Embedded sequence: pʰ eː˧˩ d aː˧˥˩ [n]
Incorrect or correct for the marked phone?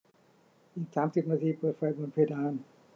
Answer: correct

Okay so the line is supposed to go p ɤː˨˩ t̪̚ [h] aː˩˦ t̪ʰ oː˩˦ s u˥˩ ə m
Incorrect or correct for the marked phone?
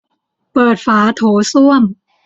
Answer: incorrect: f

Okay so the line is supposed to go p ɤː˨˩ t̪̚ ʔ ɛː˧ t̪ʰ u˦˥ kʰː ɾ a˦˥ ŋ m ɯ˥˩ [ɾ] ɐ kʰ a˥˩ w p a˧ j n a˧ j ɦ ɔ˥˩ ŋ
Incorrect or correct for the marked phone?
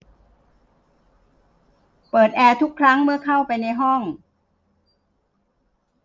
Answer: incorrect: none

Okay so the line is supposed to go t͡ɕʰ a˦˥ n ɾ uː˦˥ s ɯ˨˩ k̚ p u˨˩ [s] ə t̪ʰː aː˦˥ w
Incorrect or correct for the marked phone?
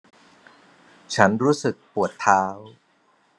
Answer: incorrect: none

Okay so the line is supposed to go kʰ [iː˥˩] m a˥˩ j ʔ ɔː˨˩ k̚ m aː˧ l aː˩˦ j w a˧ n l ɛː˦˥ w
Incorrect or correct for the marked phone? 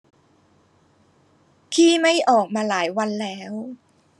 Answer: correct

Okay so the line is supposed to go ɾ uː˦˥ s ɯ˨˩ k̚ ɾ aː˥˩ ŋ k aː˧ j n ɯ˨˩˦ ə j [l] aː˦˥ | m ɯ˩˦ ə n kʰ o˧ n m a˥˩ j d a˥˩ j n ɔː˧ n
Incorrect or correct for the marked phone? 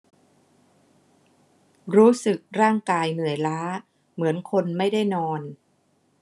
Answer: correct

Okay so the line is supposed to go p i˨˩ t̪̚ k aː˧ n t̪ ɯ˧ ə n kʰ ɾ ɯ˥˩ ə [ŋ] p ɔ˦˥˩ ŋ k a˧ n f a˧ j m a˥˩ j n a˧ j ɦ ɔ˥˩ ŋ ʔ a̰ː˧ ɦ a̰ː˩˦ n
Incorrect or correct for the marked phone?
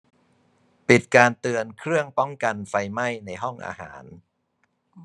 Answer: correct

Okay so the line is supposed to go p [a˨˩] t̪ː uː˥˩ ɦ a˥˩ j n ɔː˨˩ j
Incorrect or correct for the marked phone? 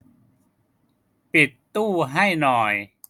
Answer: incorrect: i˨˩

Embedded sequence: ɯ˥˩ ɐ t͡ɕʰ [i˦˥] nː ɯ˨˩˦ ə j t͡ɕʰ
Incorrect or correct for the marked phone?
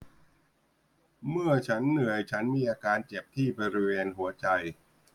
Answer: incorrect: a˦˥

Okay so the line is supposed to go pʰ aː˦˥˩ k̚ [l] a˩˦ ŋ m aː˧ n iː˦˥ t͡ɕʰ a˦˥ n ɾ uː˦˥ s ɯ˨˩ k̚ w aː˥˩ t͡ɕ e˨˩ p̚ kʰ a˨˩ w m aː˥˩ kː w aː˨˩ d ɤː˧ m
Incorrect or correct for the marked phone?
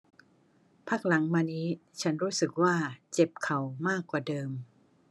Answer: correct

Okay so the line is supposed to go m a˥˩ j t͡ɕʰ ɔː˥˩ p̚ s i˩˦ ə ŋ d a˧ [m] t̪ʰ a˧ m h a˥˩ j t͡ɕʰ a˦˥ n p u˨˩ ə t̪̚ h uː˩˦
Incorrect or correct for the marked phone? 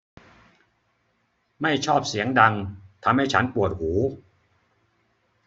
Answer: incorrect: ŋ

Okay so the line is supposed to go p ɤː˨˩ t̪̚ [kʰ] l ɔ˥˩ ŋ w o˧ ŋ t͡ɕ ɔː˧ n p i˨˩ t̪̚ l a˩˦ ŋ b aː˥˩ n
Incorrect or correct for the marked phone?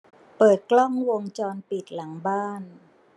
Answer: incorrect: k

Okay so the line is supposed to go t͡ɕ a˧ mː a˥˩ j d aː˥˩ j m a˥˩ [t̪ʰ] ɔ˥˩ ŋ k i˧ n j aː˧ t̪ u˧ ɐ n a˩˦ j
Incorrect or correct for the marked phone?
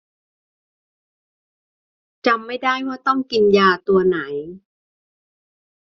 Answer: incorrect: t̪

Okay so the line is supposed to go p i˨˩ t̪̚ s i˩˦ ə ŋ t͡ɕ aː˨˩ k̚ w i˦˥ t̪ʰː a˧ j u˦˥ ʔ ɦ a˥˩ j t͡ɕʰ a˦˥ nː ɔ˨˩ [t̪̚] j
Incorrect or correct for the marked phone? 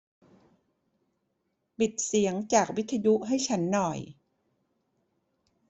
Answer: incorrect: none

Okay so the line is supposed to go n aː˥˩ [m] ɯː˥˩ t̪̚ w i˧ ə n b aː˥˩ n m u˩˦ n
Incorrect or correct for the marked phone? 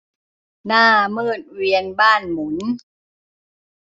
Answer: correct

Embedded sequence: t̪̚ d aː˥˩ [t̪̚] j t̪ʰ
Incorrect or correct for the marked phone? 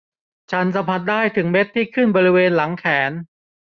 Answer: incorrect: none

